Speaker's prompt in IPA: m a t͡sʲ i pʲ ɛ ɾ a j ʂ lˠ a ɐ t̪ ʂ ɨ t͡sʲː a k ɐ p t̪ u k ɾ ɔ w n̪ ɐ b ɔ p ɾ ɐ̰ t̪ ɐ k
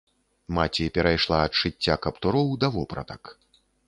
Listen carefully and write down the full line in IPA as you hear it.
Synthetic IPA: m a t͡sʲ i pʲ ɛ ɾ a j ʂ lˠ a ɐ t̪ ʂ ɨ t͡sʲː a k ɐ p t̪ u ɾ ɔ w d̪ ɐ v ɔ p ɾ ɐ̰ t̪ ɐ k